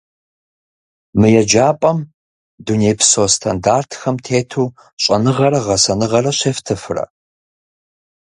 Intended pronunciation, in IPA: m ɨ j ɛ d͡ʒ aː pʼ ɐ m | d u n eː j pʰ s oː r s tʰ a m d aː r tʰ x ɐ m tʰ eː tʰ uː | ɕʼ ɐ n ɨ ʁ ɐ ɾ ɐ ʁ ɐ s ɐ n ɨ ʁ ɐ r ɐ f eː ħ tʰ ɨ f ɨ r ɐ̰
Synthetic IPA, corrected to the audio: m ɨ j ɛ d͡ʒ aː pʼ ɐ m | d u n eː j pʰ s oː s tʰ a n d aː r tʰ x ɐ m tʰ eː tʰ uː | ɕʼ ɐ n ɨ ʁ ɐ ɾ ɐ ʁ ɐ s ɐ n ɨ ʁ ɐ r ɐ ɕ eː f tʰ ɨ f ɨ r ɐ̰